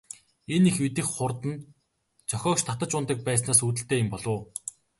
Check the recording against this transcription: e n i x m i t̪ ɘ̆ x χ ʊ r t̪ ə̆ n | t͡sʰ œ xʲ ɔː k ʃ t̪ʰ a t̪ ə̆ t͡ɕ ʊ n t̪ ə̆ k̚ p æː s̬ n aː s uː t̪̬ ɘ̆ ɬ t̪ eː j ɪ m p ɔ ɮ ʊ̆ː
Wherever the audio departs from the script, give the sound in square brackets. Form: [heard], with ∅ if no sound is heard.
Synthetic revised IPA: e n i x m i t̪ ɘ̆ x χ ʊ r t̪ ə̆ n | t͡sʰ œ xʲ ɔː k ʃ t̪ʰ a t̪ ə̆ t͡ɕ ʊ n t̪ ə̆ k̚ p æː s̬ n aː s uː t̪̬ ɘ̆ ɬ t̪ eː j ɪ m p ɔ ɮ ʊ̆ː